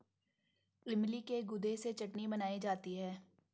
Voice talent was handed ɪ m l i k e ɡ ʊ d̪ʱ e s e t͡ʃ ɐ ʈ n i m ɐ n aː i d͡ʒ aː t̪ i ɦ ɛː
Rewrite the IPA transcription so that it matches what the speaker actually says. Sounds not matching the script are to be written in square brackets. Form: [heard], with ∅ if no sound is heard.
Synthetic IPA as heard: ɪ m l i k e ɡ ʊ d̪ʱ e s e t͡ʃ ɐ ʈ n i [b] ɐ n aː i d͡ʒ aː t̪ i ɦ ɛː